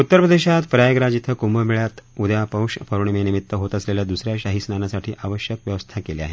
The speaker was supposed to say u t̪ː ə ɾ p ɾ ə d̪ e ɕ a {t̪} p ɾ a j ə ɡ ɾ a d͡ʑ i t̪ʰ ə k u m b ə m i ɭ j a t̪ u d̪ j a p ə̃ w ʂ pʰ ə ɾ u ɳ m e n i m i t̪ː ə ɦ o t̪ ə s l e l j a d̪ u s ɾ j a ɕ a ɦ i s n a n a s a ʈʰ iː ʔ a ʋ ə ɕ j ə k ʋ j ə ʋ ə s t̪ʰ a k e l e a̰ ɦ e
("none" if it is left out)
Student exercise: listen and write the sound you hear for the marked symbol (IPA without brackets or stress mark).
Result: t̪